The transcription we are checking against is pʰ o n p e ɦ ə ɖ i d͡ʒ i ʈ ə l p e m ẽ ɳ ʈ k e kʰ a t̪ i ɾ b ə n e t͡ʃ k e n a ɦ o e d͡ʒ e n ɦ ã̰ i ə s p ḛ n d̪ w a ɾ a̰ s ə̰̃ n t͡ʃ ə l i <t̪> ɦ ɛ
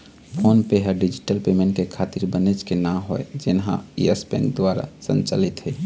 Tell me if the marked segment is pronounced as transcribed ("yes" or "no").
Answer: yes